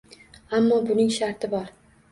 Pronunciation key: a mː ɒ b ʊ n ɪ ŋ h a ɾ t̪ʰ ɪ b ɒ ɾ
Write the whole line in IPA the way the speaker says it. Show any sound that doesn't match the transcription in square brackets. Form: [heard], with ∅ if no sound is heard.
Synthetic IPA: a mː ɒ b ʊ n ɪ ŋ [ʃ] a ɾ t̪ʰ ɪ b ɒ ɾ